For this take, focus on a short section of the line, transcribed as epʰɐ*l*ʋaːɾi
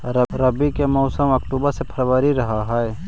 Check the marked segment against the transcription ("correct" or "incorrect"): incorrect